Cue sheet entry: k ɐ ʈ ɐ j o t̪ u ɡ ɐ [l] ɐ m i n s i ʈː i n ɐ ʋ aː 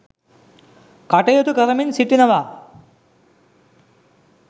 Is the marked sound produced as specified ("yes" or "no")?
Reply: no